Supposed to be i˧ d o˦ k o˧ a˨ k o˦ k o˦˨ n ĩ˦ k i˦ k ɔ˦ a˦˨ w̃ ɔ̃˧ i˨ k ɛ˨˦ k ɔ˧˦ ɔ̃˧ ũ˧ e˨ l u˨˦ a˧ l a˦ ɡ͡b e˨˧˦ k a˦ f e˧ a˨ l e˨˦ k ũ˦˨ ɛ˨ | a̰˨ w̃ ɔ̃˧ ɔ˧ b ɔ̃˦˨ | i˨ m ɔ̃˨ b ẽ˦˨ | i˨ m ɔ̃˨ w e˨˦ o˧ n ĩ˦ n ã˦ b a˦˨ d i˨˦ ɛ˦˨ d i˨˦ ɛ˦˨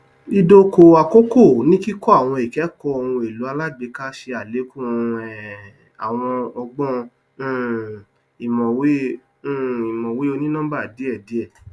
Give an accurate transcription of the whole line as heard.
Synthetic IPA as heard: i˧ d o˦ k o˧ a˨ k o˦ k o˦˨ n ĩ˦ k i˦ k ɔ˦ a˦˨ w̃ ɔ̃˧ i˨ k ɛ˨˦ k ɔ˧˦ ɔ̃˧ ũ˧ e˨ l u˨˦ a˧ l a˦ ɡ͡b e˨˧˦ k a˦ ʃ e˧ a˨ l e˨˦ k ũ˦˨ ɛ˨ | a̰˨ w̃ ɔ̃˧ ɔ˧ ɡ͡b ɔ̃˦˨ | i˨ m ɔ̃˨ w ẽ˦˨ | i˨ m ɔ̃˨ w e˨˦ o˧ n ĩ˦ n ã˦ b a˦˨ d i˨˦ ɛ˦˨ d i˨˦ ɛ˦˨